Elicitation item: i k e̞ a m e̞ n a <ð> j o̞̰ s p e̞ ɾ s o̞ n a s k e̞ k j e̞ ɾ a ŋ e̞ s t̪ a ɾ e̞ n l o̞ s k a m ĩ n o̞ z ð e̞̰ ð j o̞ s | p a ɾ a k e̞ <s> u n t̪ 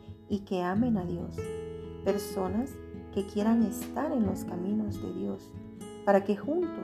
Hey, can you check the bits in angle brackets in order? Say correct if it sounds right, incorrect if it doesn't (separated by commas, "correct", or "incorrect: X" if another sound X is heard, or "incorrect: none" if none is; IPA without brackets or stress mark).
correct, incorrect: x